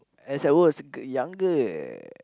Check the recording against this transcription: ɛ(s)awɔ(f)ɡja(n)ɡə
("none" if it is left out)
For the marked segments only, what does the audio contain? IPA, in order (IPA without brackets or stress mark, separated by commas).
s, s, ŋ